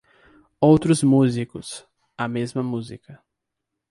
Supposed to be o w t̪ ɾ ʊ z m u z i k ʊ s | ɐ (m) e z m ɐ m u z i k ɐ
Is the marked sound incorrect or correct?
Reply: correct